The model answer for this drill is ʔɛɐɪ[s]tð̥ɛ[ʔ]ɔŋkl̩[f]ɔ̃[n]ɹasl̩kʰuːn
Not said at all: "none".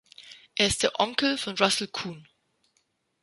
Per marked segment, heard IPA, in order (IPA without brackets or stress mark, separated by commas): s, ʔ, f, n